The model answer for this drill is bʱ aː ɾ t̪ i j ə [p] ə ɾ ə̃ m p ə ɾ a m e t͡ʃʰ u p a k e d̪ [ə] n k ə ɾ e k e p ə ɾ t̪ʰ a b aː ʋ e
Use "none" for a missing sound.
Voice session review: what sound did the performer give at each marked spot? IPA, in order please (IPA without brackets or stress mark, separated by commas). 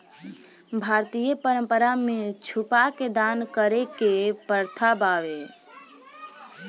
p, a